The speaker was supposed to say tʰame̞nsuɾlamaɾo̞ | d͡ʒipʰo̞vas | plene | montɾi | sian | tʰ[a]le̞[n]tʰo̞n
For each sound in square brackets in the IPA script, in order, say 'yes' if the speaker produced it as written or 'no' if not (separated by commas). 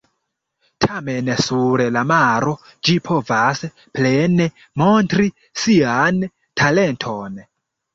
yes, yes